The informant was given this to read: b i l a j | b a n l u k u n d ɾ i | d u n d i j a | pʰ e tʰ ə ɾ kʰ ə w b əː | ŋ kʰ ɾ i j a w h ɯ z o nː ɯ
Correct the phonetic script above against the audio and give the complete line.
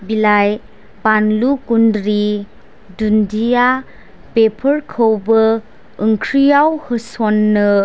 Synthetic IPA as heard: b i l a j | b a n l u k u n d ɾ i | d u n d i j a | p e pʰ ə ɾ kʰ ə w b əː | ŋ kʰ ɾ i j a w h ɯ s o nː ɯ